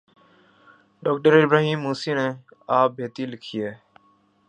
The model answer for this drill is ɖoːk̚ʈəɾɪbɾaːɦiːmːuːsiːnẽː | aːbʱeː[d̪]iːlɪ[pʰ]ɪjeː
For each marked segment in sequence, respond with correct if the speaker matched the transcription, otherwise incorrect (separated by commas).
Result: incorrect, incorrect